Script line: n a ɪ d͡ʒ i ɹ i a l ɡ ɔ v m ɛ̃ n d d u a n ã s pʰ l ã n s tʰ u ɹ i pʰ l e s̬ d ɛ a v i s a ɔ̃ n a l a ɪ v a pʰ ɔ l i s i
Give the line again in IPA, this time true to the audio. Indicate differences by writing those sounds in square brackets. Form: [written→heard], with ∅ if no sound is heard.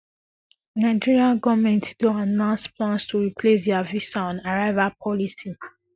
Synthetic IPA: n a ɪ d͡ʒ i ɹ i a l ɡ ɔ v m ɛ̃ n [d→t] d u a n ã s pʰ l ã n s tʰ u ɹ i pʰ l e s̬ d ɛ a v i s a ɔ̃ n a [l→ɹ] a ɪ v a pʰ ɔ l i s i